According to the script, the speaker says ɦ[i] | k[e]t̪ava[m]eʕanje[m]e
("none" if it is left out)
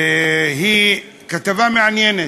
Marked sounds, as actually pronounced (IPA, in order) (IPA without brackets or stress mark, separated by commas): i, a, m, n